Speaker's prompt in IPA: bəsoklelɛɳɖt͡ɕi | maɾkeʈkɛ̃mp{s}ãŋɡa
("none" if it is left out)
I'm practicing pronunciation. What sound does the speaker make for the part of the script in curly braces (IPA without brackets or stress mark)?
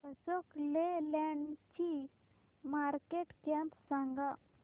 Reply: s